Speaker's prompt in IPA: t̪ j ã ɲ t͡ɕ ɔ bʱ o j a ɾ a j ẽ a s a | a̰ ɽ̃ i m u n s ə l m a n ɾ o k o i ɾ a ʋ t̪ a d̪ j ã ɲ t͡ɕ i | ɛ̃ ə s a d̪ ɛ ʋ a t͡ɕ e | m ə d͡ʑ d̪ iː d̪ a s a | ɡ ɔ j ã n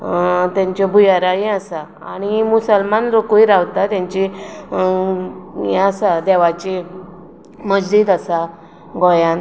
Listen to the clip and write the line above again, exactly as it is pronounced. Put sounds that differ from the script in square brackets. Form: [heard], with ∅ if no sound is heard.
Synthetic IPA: t̪ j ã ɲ t͡ɕ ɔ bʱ [u] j a ɾ a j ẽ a s a | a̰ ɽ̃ i m u [∅] s ə l m a n ɾ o k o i ɾ a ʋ t̪ a [t̪] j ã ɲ t͡ɕ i | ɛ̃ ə s a d̪ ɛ ʋ a t͡ɕ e | m ə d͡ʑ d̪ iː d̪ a s a | ɡ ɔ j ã n